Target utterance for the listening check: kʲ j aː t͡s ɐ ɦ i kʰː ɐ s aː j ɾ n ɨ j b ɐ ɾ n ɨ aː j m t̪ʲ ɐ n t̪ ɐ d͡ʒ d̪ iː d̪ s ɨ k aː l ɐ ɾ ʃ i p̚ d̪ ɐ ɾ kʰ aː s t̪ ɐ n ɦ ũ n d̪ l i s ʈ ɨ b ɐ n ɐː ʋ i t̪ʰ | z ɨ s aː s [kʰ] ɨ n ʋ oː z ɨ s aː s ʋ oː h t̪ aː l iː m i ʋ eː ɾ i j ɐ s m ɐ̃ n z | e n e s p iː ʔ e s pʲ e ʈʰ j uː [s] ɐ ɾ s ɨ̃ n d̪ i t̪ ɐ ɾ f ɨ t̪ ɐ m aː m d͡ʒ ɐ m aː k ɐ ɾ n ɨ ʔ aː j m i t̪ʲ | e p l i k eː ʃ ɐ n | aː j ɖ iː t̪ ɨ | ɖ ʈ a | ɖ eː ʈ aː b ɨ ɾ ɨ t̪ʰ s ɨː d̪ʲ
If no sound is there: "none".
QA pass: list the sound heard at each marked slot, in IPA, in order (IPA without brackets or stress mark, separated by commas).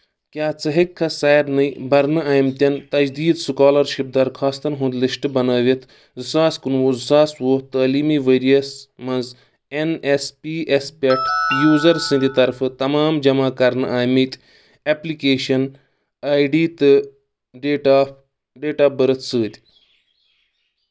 k, z